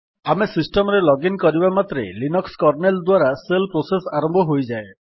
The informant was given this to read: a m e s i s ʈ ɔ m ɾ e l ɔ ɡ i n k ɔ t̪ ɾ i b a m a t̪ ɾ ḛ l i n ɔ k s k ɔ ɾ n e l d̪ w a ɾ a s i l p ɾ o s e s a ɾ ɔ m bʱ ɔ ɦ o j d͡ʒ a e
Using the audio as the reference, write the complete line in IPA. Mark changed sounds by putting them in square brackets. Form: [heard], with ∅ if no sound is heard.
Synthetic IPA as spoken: a m e s i s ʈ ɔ m ɾ e l ɔ ɡ i n k ɔ [∅] ɾ i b a m a t̪ ɾ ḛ l i n ɔ k s k ɔ ɾ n e l d̪ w a ɾ a s [e] l p ɾ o s e s a ɾ ɔ m bʱ ɔ ɦ o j d͡ʒ a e

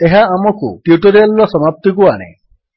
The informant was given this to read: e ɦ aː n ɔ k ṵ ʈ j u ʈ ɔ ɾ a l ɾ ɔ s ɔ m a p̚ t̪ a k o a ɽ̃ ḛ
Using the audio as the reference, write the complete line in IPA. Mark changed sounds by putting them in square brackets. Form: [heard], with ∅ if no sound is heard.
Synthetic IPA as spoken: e ɦ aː [m] ɔ k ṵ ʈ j u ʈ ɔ ɾ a l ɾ ɔ s ɔ m a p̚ t̪ [i] k [u] a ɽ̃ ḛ

